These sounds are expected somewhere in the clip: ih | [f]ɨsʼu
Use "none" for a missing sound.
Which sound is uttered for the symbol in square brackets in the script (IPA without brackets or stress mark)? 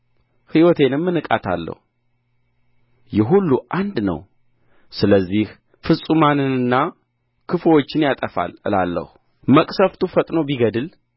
f